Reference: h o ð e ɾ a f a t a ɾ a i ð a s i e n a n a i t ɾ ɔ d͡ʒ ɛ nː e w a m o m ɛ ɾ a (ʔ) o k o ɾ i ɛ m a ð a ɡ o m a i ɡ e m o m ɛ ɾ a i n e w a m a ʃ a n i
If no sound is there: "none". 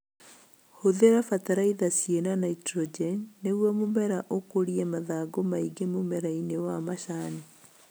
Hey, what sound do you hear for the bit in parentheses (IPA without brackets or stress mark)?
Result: ʔ